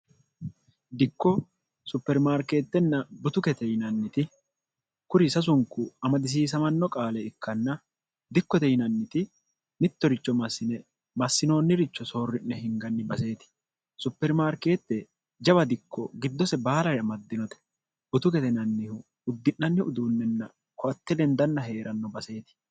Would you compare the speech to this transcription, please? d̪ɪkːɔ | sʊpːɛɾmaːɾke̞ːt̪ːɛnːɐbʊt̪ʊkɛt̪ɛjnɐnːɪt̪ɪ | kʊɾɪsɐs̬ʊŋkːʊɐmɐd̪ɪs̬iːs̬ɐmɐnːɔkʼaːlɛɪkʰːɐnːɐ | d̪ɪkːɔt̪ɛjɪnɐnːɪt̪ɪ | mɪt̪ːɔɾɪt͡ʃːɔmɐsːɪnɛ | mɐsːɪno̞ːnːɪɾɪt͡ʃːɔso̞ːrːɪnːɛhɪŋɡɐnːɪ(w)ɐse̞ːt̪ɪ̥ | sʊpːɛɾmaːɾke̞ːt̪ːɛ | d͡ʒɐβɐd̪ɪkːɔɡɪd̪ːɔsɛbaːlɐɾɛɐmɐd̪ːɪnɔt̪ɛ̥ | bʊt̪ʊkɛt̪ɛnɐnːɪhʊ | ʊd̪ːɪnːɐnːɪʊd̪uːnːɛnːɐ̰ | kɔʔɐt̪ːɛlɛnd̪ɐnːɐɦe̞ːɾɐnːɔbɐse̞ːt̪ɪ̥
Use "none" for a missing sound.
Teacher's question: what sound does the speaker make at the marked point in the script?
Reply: b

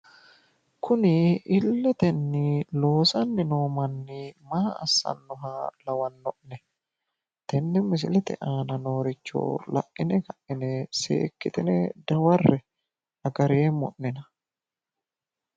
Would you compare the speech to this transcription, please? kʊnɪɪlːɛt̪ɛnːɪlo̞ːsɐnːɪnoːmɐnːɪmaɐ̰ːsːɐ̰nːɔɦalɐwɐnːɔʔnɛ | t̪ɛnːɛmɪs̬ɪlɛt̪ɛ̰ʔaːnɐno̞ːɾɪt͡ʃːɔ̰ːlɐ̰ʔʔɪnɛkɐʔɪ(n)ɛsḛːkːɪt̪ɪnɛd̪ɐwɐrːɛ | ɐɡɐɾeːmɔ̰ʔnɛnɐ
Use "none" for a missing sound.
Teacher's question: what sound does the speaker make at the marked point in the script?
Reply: n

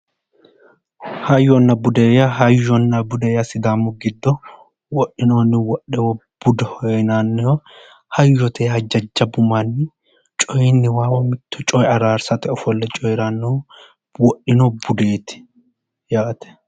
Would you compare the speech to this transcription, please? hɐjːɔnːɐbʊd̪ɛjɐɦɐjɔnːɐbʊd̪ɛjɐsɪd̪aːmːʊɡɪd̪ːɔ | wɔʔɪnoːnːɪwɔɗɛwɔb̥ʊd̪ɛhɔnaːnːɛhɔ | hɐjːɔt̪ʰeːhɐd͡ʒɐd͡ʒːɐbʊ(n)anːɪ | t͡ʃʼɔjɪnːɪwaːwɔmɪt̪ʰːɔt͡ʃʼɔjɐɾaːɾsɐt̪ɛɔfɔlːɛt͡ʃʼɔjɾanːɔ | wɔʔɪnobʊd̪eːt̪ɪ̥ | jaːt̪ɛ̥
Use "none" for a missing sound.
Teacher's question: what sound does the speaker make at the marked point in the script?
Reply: m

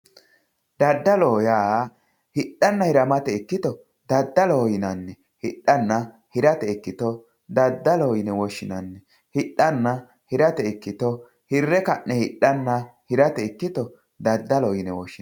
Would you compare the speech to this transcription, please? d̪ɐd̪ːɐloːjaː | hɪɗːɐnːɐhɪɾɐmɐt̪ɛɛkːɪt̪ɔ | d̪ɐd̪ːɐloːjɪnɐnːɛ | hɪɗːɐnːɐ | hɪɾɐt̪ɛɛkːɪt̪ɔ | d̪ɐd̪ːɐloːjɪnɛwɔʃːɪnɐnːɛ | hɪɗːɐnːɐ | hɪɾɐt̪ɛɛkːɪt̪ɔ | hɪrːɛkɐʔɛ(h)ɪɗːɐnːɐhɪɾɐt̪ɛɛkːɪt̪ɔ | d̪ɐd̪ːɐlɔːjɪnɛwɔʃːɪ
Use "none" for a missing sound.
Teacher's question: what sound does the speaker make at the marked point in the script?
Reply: h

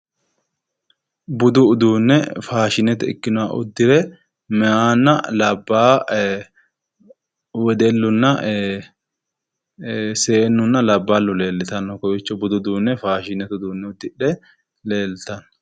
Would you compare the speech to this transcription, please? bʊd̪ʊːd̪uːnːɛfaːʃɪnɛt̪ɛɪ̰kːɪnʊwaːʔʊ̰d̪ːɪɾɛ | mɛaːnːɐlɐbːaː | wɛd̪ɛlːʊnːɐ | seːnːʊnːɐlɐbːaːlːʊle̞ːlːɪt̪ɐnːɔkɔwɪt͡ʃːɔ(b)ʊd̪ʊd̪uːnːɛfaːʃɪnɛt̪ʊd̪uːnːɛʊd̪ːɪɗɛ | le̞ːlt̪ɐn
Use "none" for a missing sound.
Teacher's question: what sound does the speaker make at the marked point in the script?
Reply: b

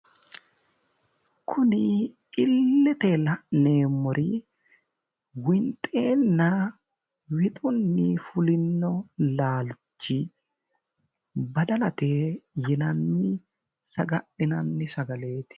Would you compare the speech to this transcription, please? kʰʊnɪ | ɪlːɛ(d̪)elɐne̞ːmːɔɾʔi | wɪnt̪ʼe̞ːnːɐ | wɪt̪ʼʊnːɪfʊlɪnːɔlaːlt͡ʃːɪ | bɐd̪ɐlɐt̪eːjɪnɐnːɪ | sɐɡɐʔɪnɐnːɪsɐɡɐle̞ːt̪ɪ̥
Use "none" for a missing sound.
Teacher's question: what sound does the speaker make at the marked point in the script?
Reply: t̪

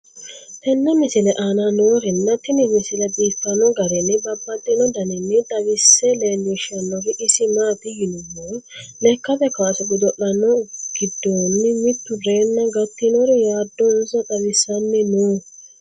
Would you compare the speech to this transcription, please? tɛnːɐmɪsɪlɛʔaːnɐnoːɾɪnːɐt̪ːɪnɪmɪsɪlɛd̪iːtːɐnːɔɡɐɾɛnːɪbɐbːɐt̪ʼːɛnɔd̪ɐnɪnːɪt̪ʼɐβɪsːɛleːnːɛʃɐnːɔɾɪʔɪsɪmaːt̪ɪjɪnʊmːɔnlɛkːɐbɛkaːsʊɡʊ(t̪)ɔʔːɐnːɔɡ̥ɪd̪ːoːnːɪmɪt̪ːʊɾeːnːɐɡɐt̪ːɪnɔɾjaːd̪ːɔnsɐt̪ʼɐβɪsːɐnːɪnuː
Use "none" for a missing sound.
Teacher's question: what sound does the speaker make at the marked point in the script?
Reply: d̪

